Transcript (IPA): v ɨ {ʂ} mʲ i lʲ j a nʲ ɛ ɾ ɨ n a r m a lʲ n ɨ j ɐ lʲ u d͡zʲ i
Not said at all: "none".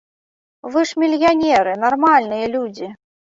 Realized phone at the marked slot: ʂ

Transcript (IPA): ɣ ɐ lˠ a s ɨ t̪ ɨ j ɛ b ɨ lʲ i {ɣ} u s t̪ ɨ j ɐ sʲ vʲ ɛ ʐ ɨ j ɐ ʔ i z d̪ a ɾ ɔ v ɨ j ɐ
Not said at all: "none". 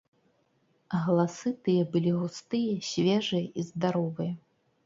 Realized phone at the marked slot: ɣ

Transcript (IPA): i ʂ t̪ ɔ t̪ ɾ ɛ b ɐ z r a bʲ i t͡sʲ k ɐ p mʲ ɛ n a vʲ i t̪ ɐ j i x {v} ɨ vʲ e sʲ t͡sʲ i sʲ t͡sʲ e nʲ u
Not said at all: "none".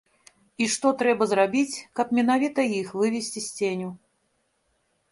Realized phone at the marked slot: v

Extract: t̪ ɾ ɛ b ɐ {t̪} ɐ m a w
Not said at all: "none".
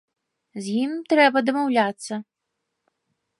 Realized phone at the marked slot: d̪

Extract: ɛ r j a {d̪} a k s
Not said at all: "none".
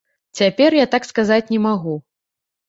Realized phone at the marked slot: t̪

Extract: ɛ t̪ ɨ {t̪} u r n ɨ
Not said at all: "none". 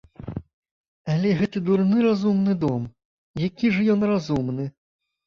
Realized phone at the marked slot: d̪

